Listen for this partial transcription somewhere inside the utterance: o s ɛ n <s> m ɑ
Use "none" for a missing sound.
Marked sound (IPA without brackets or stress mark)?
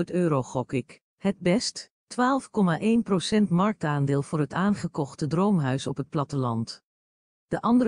t